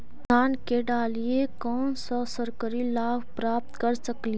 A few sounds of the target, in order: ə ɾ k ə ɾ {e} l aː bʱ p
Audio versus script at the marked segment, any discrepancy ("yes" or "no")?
yes